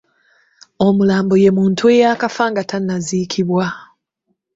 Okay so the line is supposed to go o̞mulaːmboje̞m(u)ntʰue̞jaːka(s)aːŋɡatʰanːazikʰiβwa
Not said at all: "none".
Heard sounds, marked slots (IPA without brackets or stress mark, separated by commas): uː, f